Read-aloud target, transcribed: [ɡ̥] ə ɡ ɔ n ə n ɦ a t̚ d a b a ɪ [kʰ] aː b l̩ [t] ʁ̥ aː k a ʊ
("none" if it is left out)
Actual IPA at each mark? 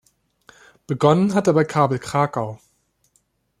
b̥, kʰ, k

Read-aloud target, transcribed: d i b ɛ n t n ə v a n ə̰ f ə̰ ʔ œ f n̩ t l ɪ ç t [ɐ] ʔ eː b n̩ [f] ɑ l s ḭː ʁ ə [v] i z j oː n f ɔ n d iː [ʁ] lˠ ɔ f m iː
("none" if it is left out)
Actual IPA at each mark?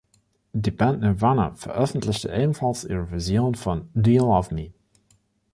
ə, f, v, none

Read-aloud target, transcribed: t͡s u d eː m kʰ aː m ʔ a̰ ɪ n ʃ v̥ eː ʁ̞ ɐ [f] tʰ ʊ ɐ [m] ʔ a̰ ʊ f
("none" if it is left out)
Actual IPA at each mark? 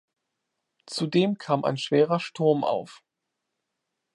ʃ, m

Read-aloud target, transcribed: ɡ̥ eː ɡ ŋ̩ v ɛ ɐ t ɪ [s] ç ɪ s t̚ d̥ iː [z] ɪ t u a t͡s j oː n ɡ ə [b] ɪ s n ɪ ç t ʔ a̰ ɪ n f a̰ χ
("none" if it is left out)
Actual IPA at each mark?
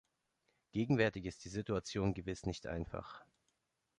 none, z, v

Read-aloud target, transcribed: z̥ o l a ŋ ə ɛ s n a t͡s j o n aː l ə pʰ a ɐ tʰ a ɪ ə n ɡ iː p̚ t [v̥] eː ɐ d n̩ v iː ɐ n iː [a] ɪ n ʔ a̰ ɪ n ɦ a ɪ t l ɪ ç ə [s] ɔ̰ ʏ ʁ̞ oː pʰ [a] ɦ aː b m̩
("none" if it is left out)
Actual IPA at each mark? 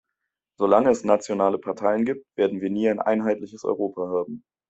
v̥, a, s, a

